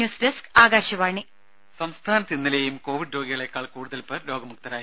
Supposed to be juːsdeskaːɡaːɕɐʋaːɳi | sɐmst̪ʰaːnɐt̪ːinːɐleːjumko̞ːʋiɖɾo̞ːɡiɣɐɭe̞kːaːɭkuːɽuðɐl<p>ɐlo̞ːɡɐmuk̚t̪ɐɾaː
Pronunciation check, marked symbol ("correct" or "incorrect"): correct